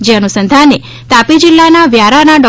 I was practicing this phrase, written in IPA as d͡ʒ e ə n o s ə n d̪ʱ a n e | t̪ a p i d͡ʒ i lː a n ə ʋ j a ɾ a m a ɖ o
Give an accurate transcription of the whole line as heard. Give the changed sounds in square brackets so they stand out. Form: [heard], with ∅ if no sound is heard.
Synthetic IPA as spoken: d͡ʒ e ə n [u] s ə n d̪ʱ a n e | t̪ a p i d͡ʒ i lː a n [a] ʋ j a ɾ a [n] a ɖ [ɔ]